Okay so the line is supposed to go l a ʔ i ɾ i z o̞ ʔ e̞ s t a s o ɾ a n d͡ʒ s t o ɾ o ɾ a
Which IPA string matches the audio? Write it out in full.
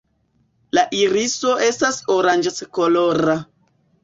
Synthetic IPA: l a ʔ i ɾ i s o̞ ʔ e̞ s t a s o ɾ a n d͡ʒ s k o l o ɾ a

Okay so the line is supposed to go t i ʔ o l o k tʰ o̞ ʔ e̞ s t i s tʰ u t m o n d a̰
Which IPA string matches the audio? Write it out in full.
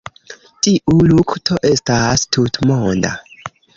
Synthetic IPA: t i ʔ u l u k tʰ o̞ ʔ e̞ s t a s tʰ u t m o n d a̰

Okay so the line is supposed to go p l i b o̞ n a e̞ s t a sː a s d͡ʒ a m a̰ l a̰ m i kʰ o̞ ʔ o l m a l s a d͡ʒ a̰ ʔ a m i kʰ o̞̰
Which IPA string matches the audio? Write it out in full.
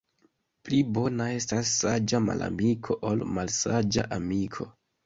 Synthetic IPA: p l i b o̞ n a e̞ s t a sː a d͡ʒ a m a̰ l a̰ m i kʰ o̞ ʔ o l m a l s a d͡ʒ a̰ ʔ a m i kʰ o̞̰

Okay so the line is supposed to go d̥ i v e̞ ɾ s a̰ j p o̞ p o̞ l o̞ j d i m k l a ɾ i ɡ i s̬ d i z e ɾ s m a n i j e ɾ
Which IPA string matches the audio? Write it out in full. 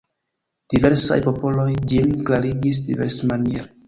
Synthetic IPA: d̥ i v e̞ ɾ s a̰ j p o̞ p o̞ l o̞ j d͡ʒ i m k l a ɾ i ɡ i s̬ d i v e ɾ s m a n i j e ɾ

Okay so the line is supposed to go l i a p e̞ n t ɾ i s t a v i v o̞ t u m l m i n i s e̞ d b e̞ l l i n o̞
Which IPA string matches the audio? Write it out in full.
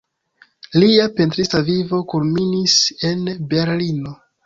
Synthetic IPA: l i a p e̞ n t ɾ i s t a v i v o̞ k u l m i n i s e̞ n b e̞ ɾ l i n o̞

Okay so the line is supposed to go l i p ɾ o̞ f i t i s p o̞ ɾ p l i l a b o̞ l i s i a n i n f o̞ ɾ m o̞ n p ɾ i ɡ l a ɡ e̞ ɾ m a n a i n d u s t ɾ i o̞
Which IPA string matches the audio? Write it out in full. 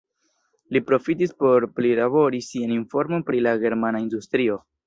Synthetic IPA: l i p ɾ o̞ f i t i s p o̞ ɾ p l i l a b o̞ ɾ i s i a n i n f o̞ ɾ m o̞ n p ɾ i l a ɡ e̞ ɾ m a n a i n d u s t ɾ i o̞

